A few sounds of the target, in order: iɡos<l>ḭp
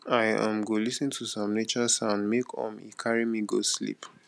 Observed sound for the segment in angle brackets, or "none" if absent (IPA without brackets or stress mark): l